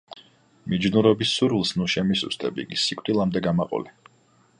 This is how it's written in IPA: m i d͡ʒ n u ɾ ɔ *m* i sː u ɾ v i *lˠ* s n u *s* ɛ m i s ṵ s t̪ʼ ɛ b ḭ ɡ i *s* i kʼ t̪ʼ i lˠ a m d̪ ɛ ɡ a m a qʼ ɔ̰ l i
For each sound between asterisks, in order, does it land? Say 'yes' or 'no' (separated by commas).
no, yes, no, yes